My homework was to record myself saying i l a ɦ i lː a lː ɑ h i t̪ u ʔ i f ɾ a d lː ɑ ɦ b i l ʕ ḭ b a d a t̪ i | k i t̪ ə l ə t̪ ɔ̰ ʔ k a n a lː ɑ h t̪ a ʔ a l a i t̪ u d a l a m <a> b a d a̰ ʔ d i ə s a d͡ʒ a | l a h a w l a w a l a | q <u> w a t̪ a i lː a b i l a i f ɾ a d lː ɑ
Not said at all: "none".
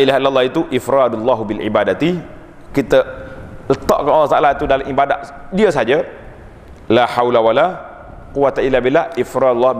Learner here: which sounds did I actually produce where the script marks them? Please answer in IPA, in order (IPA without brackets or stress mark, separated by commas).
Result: i, u